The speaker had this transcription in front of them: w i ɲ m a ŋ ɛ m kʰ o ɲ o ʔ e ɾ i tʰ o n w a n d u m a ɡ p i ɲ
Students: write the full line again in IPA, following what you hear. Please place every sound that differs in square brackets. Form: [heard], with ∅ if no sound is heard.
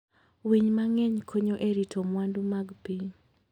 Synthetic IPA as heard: w i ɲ m a ŋ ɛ [ɲ] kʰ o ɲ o ʔ e ɾ i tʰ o [m] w a n d u m a ɡ p i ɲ